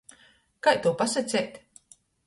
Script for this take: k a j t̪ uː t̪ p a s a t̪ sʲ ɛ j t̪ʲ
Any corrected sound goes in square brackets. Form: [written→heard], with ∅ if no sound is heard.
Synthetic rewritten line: k a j t̪ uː [t̪→∅] p a s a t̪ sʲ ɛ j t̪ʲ